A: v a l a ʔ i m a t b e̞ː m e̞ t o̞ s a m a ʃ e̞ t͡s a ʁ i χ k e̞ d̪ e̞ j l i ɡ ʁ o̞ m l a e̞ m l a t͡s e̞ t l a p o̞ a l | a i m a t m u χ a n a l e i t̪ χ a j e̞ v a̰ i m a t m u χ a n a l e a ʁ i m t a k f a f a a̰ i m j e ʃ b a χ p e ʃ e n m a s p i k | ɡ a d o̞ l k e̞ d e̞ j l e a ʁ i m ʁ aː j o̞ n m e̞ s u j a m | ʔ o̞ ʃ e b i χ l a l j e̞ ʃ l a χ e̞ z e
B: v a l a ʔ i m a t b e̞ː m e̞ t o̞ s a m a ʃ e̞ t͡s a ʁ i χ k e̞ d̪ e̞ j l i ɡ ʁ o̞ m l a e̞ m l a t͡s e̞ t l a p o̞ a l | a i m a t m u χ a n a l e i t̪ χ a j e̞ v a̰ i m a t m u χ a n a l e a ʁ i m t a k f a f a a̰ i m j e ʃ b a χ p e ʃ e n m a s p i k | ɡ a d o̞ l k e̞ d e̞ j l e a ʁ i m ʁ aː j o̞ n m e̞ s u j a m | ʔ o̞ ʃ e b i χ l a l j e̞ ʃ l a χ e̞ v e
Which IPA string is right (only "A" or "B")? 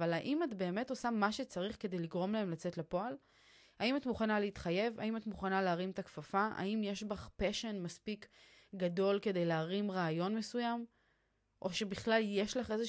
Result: A